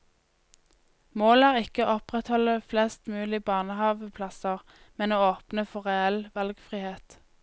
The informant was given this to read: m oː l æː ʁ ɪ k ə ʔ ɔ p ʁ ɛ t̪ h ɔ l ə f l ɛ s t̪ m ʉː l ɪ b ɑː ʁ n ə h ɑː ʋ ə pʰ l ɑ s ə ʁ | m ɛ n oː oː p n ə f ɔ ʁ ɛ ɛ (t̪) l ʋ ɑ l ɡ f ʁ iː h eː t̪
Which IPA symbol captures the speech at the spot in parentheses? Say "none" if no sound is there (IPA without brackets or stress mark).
none